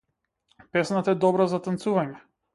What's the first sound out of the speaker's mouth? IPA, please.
p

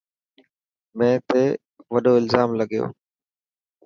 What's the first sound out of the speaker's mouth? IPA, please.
m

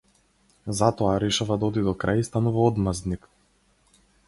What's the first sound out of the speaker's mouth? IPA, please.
z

